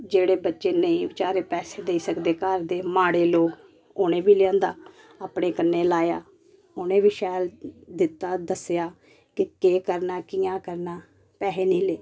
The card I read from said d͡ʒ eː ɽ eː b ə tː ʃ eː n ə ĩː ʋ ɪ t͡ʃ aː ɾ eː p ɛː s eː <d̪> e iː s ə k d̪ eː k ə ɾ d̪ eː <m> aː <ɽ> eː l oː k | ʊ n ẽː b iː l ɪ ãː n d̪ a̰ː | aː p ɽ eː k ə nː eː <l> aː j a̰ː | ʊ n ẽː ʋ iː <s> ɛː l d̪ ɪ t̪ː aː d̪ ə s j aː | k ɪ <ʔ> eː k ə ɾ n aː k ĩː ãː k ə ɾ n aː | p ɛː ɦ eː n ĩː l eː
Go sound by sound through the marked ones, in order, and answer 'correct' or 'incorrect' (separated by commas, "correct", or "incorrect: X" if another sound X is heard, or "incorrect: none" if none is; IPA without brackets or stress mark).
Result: correct, correct, correct, correct, incorrect: ʃ, incorrect: k